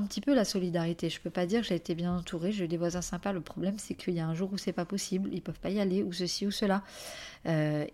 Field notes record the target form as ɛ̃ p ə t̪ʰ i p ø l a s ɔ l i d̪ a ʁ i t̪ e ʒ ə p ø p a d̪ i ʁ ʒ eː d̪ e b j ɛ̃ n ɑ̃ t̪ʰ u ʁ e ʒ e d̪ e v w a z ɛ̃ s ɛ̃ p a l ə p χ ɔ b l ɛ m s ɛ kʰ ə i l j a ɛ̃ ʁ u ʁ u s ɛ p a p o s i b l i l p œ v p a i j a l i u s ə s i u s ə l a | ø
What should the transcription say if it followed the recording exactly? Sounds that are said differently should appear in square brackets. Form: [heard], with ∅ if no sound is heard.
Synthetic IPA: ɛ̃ p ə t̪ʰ i p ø l a s ɔ l i d̪ a ʁ i t̪ e ʒ ə p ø p a d̪ i ʁ ʒ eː [t̪] e b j ɛ̃ n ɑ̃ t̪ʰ u ʁ e ʒ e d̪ e v w a z ɛ̃ s ɛ̃ p a l ə p χ ɔ b l ɛ m s ɛ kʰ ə i l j a ɛ̃ [ʒ] u ʁ u s ɛ p a p [ɔ] s i b l i l p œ v p a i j a l [e] u s ə s i u s ə l a | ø